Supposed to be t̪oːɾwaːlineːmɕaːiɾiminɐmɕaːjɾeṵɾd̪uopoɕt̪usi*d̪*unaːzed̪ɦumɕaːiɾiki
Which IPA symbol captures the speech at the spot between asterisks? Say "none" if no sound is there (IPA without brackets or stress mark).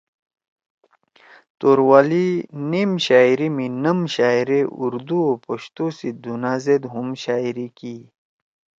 d̪